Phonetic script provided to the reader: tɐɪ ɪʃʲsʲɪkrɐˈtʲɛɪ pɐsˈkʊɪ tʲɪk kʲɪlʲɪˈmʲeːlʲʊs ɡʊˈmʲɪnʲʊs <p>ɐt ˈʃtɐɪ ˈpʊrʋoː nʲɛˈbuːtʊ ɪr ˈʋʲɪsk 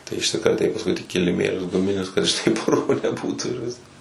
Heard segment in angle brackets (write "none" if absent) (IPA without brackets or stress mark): k